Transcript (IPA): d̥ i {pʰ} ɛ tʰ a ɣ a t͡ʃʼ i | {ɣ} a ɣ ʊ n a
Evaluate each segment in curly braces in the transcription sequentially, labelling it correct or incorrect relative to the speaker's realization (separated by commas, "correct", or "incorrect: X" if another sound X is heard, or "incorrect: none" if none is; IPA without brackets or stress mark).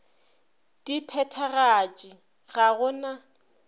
correct, correct